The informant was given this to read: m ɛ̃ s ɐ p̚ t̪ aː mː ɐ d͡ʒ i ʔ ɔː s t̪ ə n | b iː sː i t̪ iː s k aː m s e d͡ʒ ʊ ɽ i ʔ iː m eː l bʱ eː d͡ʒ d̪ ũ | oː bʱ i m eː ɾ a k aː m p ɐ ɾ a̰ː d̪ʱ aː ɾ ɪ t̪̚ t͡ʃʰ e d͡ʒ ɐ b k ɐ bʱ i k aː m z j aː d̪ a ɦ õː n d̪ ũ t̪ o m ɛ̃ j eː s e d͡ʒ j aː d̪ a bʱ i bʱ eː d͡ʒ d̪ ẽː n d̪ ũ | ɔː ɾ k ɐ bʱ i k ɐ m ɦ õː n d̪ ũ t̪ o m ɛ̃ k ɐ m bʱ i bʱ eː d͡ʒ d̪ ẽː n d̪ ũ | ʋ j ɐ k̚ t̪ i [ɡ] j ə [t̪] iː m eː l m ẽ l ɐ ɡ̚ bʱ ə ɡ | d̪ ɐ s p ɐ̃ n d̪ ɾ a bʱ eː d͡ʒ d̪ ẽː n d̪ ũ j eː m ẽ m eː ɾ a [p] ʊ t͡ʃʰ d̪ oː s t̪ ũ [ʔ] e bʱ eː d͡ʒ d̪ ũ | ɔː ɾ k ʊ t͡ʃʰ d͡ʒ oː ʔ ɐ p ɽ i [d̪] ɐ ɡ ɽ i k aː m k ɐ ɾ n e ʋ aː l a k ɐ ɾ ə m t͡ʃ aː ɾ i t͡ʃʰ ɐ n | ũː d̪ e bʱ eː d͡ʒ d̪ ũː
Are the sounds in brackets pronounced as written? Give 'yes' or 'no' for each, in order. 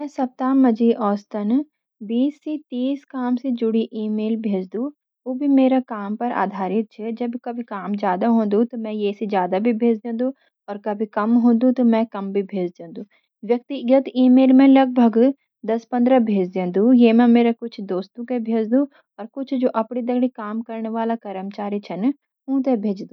yes, yes, no, no, yes

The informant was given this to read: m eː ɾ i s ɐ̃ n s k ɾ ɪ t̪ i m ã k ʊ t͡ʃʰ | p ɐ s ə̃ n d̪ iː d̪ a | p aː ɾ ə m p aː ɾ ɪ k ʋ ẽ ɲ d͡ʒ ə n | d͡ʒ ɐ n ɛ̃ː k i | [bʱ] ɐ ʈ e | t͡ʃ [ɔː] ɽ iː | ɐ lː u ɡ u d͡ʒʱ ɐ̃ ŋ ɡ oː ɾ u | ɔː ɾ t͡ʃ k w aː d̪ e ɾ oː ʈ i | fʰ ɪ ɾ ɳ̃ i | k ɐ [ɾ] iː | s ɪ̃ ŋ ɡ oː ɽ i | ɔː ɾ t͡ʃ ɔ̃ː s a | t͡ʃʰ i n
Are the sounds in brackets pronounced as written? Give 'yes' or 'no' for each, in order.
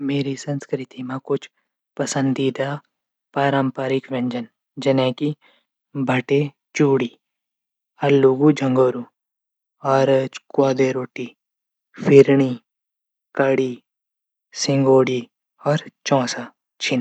yes, no, no

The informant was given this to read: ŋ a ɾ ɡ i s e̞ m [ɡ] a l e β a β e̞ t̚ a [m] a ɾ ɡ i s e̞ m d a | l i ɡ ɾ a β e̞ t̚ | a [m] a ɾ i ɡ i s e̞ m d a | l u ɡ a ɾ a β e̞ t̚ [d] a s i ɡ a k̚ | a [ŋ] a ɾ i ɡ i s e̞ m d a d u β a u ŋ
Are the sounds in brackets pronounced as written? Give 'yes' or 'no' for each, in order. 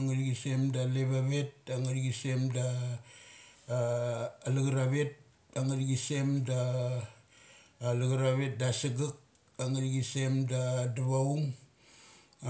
no, no, no, yes, yes

